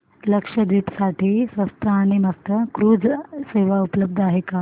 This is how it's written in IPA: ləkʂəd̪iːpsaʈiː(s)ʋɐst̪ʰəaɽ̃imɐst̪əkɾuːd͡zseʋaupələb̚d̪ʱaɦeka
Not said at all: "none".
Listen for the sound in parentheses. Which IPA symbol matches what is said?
s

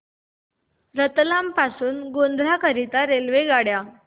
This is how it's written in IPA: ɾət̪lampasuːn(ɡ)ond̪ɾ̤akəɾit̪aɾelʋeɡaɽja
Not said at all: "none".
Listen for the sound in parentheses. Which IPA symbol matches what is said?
ɡ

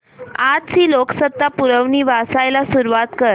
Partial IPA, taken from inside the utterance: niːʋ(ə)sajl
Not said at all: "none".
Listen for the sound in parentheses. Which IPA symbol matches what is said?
a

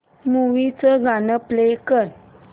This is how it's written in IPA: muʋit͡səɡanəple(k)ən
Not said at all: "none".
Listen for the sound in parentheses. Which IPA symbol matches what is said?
k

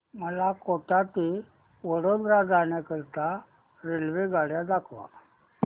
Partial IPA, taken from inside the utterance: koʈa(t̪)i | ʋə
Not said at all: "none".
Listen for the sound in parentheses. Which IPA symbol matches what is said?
t̪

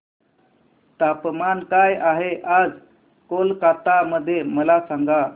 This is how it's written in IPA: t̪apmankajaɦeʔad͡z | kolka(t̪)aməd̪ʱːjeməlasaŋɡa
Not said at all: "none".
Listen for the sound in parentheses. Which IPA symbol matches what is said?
t̪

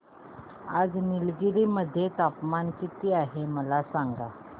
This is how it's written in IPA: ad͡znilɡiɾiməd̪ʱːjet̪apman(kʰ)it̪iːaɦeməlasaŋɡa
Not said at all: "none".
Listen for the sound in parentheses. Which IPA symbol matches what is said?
k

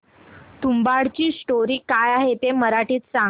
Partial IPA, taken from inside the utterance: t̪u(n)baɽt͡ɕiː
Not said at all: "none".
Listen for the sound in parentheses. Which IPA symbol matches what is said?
m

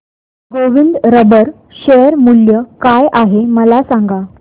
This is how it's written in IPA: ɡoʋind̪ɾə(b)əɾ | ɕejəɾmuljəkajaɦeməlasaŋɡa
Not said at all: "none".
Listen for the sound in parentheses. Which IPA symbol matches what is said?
b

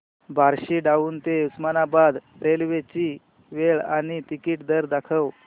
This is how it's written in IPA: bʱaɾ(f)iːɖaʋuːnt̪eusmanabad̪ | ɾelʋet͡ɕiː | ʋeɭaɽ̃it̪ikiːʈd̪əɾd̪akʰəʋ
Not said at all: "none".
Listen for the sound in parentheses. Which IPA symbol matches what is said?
ɕ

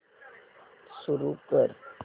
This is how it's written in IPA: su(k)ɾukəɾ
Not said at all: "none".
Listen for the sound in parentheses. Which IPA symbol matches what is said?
none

